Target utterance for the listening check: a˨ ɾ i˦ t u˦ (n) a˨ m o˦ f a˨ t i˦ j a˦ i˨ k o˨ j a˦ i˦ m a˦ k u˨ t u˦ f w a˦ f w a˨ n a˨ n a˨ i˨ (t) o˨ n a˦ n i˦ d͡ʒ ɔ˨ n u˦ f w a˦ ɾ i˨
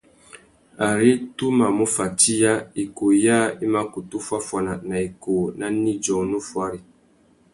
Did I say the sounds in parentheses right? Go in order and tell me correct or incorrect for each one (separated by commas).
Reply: incorrect, incorrect